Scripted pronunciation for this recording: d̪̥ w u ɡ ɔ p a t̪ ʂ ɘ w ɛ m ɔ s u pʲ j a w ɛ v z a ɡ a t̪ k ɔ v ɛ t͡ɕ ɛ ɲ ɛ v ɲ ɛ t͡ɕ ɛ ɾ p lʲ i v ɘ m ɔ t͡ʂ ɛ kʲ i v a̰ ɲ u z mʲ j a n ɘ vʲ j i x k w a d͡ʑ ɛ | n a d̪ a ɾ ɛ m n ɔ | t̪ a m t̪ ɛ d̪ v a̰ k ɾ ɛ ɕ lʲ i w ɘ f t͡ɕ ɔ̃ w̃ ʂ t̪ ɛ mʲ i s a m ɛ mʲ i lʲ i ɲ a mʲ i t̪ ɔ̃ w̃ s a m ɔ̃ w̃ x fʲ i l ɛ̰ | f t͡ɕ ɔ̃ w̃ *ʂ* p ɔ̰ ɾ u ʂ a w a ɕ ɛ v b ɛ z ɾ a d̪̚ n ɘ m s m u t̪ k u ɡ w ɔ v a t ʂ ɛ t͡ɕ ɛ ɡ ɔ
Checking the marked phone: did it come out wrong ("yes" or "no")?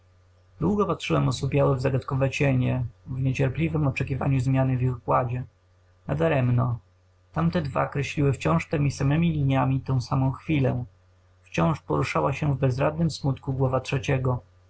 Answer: no